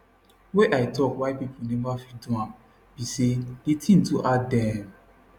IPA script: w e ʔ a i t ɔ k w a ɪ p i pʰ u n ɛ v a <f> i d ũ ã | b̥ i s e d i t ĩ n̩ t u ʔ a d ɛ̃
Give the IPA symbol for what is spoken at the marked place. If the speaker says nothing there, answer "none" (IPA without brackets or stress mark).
f